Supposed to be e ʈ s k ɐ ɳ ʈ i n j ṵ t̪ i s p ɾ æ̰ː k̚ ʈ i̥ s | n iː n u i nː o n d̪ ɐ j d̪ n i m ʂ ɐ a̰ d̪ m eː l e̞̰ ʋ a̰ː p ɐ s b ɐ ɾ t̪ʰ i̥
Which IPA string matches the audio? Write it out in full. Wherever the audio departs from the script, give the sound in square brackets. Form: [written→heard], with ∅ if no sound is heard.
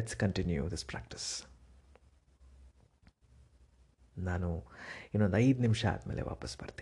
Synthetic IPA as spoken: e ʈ s k ɐ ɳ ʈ i n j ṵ [t̪→d̪] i s p ɾ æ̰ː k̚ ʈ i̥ s | n [iː→aː] n u i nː o n d̪ ɐ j d̪ n i m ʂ ɐ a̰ d̪ m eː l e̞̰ ʋ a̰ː p ɐ s b ɐ ɾ [t̪ʰ→t̪] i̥